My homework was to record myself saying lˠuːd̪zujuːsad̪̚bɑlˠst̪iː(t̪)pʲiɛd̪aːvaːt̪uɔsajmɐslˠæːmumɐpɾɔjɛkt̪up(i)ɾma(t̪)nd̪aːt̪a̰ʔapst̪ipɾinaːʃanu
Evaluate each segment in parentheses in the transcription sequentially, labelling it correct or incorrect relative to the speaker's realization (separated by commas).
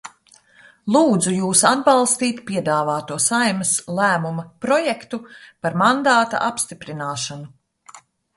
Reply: correct, incorrect, incorrect